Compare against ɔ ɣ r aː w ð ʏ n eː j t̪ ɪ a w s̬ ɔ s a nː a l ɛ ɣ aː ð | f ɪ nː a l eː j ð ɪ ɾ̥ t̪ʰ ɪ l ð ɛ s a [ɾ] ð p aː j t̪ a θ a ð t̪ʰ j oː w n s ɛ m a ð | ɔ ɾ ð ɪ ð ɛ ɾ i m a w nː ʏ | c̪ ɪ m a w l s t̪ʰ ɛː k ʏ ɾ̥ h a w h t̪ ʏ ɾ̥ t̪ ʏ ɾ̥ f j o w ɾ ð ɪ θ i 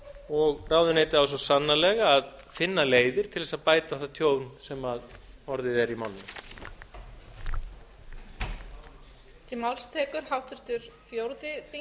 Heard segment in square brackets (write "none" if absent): none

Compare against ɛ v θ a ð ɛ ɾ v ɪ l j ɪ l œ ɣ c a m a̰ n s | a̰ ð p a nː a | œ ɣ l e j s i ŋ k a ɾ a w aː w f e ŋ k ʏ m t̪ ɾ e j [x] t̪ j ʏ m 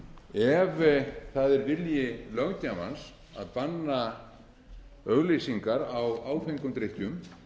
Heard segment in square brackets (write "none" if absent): h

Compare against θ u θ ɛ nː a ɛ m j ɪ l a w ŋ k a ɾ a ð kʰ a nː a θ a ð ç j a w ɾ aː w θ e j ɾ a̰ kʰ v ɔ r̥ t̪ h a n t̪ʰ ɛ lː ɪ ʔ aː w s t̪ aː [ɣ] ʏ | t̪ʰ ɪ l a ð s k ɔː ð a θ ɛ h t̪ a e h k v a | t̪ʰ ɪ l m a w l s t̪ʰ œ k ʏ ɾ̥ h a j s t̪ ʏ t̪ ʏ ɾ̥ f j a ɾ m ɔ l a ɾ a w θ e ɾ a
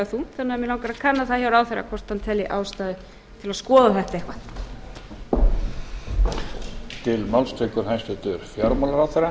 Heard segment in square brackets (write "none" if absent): ð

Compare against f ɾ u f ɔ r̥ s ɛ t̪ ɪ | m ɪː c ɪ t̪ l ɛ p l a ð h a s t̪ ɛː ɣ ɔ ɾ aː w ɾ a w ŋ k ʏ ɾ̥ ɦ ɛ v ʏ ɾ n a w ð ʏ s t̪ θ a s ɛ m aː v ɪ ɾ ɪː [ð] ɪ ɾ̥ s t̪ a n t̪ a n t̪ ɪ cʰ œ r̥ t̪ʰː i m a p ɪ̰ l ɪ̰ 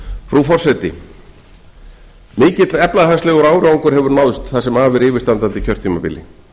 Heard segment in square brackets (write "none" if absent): v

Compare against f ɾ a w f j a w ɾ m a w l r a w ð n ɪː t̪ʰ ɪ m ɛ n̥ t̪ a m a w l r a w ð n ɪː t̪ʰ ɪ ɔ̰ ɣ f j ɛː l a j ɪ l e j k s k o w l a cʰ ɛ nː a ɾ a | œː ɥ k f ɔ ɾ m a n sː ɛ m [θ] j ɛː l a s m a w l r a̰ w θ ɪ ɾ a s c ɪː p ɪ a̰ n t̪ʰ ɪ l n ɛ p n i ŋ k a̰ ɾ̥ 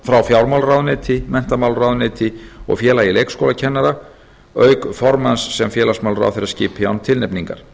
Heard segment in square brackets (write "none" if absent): f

